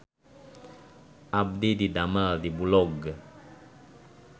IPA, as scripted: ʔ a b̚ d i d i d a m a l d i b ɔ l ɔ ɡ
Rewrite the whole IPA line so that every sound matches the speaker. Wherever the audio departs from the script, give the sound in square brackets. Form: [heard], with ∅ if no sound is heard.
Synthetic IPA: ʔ a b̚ d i d i d a m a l d i b [u] l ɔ ɡ

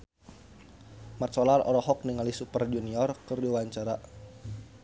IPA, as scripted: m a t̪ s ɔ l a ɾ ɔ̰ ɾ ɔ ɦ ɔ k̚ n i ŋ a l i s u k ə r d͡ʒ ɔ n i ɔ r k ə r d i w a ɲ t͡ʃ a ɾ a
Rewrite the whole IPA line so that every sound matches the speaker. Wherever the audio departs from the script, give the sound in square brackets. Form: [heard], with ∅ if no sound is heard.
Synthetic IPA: m a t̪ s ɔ l a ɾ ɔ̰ ɾ ɔ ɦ ɔ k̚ n i ŋ a l i s u [p] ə r d͡ʒ [u] n i ɔ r k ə r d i w a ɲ t͡ʃ a ɾ a

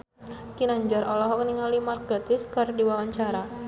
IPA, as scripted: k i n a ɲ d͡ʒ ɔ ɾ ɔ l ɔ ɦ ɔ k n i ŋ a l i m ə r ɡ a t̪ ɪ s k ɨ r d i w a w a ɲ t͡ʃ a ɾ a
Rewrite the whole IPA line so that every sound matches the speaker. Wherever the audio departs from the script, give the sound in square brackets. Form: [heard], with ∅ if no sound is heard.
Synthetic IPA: k i n a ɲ d͡ʒ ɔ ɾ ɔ l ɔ ɦ ɔ k n i ŋ a l i m [a] r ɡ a t̪ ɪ s k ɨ r d i w a w a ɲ t͡ʃ a ɾ a

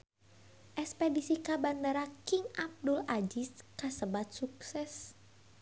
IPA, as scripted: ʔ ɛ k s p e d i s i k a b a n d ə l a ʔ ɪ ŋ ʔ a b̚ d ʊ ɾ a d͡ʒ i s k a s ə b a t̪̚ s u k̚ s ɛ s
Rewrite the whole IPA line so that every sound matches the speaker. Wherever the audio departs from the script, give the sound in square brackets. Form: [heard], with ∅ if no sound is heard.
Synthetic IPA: ʔ ɛ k s p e d i s i k a b a n d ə [ɾ] a [k] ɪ ŋ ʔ a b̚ d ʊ [l] a d͡ʒ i s k a s ə b a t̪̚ s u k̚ s ɛ s

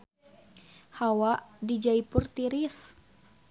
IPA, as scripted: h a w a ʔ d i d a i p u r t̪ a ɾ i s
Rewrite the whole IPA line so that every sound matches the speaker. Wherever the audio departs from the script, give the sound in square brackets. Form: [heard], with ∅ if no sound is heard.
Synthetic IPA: h a w a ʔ d i [d͡ʒ] a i p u r t̪ [i] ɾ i s

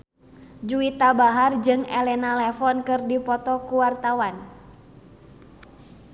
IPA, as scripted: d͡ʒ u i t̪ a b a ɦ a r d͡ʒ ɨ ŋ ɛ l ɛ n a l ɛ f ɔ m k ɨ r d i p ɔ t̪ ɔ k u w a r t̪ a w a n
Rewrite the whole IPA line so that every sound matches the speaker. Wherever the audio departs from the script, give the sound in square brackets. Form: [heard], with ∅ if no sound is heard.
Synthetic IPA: d͡ʒ u i t̪ a b a ɦ a r d͡ʒ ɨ ŋ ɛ l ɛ n a l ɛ f ɔ [n] k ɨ r d i p ɔ t̪ ɔ k u w a r t̪ a w a n

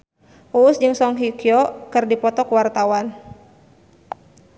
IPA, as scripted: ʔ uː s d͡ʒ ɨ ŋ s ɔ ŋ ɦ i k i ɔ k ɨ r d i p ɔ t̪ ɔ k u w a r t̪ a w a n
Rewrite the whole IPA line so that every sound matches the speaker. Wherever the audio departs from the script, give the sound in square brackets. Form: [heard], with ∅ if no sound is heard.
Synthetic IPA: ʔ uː s d͡ʒ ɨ ŋ s ɔ ŋ ɦ i k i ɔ k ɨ r d i p ɔ t̪ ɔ k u w a r t̪ a w a n

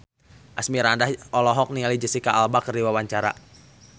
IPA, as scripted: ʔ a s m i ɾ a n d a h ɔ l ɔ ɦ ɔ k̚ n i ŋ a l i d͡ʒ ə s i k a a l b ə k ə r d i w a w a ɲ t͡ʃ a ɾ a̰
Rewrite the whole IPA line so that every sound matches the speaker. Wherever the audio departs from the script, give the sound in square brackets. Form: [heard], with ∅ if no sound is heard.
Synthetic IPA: ʔ a s m i ɾ a n d a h ɔ l ɔ ɦ ɔ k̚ n i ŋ a l i d͡ʒ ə s i k a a l b [a] k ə r d i w a w a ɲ t͡ʃ a ɾ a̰

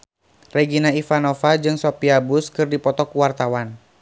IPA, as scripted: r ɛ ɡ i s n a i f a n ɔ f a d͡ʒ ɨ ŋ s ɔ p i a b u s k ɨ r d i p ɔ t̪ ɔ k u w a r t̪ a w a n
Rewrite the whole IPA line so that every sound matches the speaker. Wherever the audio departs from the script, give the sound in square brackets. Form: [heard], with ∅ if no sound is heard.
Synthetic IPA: r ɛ ɡ i [∅] n a i f a n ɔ f a d͡ʒ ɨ ŋ s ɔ p i a b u s k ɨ r d i p ɔ t̪ ɔ k u w a r t̪ a w a n

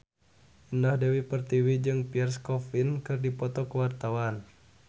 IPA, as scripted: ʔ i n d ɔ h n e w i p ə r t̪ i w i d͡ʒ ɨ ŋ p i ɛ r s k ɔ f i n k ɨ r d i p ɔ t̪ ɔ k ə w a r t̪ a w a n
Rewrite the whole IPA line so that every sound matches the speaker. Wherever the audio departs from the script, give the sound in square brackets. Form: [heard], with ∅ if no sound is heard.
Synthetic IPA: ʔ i n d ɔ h [d] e w i p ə r t̪ i w i d͡ʒ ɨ ŋ p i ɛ r s k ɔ f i n k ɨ r d i p ɔ t̪ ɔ k ə w a r t̪ a w a n

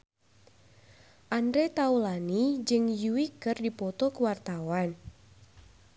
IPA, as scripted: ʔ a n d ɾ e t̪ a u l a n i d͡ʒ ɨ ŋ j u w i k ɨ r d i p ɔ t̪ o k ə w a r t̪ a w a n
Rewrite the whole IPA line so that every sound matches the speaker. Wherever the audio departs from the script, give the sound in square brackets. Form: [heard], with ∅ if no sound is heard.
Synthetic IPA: ʔ a n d ɾ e t̪ a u l a n i d͡ʒ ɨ ŋ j u w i k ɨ r d i p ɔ t̪ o k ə w a r t̪ a w a n

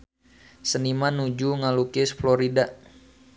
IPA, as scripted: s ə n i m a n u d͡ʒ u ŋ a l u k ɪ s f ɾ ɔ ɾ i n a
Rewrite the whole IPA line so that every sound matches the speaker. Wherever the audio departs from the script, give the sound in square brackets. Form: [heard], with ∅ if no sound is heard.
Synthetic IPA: s ə n i m a n u d͡ʒ u ŋ a l u k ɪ s f [l] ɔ ɾ i [d] a

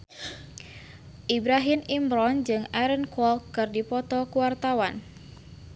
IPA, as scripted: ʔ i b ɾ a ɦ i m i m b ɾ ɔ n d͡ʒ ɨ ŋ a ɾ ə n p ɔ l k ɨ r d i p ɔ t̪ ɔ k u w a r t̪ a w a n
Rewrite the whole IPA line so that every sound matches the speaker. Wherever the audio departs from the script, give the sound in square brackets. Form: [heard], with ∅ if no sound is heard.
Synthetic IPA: ʔ i b ɾ a ɦ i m i m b ɾ ɔ n d͡ʒ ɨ ŋ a ɾ ə n [k] ɔ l k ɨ r d i p ɔ t̪ ɔ k u w a r t̪ a w a n

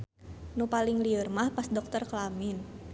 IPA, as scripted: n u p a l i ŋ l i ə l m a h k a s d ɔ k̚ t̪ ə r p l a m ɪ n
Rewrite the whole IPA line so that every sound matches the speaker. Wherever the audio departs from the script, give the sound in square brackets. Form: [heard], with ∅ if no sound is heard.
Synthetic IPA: n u p a l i ŋ l i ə [r] m a h [p] a s d ɔ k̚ t̪ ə r [k] l a m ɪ n

